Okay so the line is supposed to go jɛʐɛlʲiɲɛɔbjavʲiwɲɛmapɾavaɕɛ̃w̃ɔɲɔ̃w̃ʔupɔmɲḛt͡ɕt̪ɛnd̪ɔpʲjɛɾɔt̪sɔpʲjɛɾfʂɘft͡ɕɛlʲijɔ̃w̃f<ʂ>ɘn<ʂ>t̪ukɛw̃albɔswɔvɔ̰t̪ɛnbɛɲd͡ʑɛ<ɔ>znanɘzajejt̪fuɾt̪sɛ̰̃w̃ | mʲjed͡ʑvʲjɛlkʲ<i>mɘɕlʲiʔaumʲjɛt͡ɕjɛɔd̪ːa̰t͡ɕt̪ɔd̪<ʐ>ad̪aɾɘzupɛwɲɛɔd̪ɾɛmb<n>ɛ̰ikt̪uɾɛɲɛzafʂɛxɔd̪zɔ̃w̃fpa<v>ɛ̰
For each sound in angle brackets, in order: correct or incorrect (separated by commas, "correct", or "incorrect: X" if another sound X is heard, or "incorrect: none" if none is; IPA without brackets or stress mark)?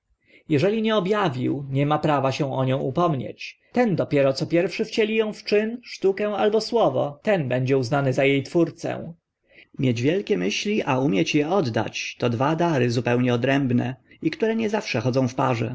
incorrect: t͡ʂ, correct, incorrect: u, incorrect: ɛ, incorrect: v, correct, incorrect: ʐ